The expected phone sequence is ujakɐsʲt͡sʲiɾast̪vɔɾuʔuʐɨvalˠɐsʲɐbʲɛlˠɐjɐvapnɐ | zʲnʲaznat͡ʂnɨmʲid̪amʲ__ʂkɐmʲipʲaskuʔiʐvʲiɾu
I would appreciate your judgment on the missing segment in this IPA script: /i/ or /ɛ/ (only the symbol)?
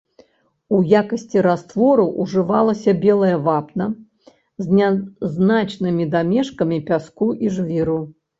ɛ